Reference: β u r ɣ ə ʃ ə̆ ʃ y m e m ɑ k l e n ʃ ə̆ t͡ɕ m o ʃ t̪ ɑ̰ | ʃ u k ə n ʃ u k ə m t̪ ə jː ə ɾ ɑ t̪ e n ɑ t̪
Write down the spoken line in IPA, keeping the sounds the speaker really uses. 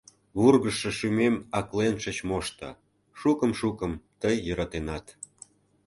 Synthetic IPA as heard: β u r ɣ ə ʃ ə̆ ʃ y m e m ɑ k l e n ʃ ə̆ t͡ɕ m o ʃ t̪ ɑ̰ | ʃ u k ə m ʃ u k ə m t̪ ə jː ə ɾ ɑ t̪ e n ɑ t̪